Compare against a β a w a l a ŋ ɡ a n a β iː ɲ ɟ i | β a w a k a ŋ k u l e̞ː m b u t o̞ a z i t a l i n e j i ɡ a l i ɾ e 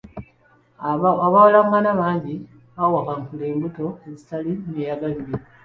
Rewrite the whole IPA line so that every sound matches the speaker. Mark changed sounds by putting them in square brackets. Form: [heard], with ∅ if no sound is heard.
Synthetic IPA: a β a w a l a ŋ ɡ a n a β [aː] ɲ ɟ i | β a w a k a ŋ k u l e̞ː m b u t o̞ [e] z i t a l i n e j [a] ɡ a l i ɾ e